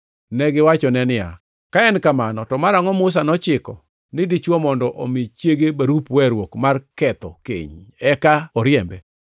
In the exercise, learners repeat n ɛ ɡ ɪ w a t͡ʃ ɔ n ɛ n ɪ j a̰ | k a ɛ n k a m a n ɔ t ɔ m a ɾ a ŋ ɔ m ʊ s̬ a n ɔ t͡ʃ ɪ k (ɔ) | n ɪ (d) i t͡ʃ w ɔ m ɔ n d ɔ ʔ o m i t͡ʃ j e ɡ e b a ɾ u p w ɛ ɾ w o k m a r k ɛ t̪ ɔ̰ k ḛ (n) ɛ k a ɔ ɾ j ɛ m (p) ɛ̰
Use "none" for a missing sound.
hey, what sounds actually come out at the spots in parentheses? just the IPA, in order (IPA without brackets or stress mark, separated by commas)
ɔ, d, ɲ, b